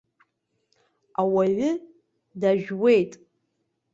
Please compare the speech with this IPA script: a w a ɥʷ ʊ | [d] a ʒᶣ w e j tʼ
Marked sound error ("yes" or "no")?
no